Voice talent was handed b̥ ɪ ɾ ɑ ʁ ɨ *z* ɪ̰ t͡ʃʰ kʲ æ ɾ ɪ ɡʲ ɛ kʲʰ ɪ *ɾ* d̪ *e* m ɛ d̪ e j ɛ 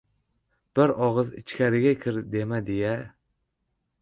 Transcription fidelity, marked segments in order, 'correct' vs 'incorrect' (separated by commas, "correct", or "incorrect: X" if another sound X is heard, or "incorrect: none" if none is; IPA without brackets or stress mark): correct, correct, correct